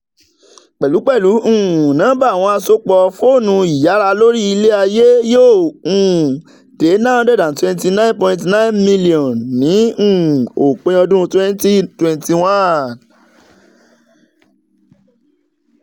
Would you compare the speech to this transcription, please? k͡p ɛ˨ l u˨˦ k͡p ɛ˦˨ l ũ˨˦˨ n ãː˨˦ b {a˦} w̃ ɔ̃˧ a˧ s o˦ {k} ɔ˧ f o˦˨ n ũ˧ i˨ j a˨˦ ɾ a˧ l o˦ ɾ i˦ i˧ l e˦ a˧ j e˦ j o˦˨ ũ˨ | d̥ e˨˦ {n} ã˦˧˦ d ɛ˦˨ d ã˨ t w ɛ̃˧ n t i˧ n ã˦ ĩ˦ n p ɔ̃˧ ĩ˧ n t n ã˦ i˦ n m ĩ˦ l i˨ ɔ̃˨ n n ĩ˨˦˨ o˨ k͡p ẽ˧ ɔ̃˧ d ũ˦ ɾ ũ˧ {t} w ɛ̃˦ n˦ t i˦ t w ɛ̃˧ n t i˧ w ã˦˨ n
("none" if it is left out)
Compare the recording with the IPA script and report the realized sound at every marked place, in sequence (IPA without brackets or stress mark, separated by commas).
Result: a˦˨, k͡p, n, t